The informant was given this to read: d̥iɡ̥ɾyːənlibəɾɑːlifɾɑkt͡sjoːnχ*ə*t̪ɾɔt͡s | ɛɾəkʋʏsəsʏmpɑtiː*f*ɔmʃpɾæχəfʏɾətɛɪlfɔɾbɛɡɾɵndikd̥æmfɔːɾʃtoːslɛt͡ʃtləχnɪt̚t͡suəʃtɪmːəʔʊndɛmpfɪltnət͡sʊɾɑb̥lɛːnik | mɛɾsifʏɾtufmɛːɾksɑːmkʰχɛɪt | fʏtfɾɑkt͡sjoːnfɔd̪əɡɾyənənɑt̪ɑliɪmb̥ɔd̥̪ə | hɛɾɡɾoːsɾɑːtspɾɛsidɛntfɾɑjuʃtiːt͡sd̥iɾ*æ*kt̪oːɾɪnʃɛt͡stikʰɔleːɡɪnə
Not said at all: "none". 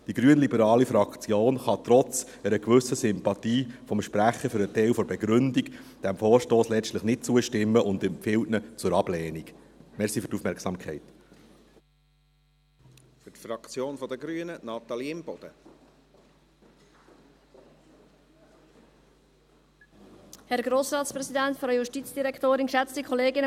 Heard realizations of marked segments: ɑ, f, ɛ

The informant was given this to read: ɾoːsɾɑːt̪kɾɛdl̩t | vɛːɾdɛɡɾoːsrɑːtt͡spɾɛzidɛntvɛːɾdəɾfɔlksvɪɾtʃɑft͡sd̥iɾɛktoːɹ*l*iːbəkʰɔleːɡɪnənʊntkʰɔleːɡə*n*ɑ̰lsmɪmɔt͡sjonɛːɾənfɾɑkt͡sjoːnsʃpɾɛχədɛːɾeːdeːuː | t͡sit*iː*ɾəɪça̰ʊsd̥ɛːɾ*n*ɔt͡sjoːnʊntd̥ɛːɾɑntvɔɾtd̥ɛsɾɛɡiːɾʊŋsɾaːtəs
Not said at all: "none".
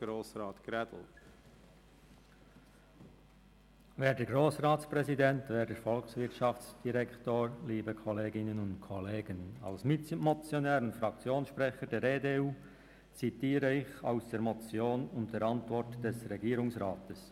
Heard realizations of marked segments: l, n, iː, m

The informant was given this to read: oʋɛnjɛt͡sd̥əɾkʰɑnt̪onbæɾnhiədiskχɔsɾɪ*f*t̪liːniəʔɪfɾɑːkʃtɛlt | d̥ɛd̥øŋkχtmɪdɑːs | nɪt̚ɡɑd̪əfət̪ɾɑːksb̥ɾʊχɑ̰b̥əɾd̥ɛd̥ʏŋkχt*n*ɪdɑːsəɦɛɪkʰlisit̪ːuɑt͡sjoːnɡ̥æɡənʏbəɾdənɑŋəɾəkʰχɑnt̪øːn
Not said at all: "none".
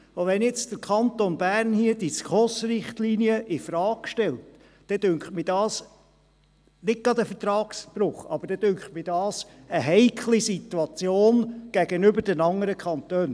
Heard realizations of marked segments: χ, m

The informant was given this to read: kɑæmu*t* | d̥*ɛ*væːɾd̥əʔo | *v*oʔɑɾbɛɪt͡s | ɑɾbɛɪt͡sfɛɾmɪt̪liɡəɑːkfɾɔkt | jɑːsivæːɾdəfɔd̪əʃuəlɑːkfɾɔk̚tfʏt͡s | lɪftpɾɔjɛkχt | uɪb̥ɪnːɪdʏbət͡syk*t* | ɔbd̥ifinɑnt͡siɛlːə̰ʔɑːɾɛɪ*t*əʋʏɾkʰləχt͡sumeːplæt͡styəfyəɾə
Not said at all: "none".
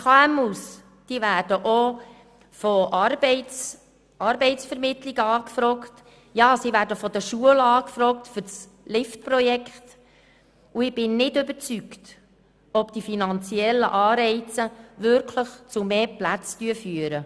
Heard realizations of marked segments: s, i, f, t, t͡s

